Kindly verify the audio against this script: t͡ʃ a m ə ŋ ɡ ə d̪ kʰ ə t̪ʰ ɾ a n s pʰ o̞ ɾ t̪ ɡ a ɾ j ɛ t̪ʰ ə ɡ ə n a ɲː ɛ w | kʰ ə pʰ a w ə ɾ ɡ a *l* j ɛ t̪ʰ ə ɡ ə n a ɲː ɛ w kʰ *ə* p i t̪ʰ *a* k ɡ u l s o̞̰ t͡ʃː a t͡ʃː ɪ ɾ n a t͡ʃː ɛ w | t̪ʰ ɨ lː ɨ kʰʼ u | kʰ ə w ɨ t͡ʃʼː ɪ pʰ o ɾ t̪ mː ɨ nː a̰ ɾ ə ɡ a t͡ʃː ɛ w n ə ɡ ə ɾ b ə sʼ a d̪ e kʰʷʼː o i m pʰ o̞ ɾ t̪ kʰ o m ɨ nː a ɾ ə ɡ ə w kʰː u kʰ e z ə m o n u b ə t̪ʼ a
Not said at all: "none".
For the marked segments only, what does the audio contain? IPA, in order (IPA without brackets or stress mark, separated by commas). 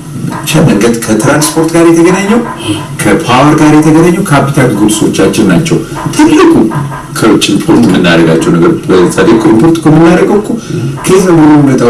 ɾ, a, a